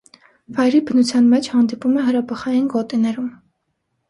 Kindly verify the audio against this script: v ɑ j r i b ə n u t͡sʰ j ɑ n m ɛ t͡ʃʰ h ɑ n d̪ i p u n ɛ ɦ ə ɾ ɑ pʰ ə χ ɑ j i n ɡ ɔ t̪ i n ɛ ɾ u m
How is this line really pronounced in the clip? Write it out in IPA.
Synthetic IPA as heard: v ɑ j ɾ i b ə n u t͡sʰ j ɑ n m ɛ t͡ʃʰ h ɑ n d̪ i p u m ɛ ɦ ə ɾ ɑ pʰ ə χ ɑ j i n ɡ ɔ t̪ i n ɛ ɾ u m